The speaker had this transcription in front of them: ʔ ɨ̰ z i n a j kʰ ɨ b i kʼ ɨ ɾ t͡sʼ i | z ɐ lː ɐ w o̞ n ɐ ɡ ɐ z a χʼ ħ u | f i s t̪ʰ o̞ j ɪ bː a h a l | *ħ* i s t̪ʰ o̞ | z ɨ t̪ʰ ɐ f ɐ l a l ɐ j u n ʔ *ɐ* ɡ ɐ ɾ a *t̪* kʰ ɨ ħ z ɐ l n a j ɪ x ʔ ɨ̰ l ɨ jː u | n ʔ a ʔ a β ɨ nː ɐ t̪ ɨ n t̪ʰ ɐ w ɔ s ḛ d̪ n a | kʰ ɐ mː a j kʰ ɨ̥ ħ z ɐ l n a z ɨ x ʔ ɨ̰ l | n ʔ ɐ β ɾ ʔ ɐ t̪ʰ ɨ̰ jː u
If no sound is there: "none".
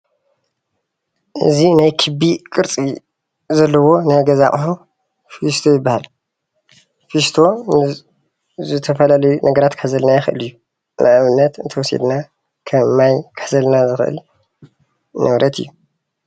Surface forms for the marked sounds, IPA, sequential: f, ɐ, t̪

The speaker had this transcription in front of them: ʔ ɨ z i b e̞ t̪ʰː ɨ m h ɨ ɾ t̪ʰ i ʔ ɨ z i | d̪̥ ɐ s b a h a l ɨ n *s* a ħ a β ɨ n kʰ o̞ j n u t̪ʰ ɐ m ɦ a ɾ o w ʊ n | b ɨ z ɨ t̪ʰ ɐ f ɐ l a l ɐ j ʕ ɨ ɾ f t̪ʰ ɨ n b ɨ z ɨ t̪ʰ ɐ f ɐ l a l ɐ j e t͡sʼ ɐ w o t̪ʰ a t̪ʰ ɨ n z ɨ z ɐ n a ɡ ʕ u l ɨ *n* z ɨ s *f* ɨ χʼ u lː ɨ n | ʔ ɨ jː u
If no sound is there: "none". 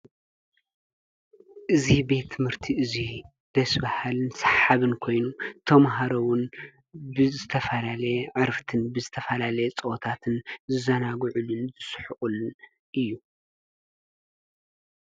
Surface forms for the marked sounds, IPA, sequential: s, n, ħ

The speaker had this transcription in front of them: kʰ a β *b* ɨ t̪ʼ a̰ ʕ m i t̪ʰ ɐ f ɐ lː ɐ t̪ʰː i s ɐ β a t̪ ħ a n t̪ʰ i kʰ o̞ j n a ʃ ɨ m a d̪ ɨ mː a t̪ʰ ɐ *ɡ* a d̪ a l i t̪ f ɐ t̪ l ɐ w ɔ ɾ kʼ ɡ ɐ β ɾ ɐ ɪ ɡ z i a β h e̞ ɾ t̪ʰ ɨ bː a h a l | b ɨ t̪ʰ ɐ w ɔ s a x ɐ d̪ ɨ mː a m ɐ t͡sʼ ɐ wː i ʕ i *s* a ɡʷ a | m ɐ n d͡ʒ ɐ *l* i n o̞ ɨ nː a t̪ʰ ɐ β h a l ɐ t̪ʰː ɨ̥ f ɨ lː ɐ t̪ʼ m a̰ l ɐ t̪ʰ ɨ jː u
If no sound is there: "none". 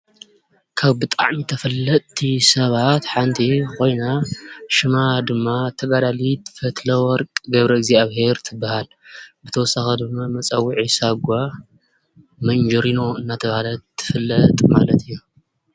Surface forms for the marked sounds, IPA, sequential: b, ɡ, s, ɾ

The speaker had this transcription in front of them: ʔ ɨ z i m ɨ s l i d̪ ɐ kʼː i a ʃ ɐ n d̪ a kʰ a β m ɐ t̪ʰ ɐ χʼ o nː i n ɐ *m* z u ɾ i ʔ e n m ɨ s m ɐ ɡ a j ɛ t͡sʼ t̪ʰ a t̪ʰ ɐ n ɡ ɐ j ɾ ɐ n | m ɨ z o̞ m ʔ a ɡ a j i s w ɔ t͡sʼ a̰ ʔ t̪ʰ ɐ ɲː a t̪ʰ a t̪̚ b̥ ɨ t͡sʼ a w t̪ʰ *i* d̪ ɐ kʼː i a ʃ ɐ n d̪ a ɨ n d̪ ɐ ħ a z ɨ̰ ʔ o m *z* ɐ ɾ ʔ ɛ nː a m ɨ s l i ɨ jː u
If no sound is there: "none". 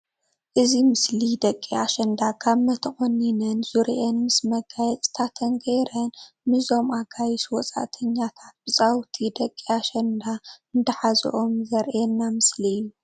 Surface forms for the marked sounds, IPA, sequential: n, i, z

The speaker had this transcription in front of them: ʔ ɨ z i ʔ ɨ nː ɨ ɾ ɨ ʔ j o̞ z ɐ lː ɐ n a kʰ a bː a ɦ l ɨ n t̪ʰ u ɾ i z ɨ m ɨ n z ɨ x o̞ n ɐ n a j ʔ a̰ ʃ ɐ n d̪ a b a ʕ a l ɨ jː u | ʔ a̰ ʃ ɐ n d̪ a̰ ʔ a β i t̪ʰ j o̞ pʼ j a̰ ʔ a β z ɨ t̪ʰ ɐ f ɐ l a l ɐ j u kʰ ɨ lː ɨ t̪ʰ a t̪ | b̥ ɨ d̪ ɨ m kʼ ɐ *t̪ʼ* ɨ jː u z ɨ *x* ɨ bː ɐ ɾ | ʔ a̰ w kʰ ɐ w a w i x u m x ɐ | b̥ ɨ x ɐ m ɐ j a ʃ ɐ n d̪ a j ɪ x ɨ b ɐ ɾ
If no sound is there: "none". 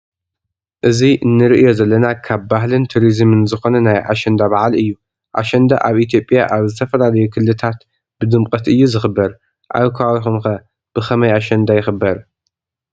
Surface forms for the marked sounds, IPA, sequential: t̪, x

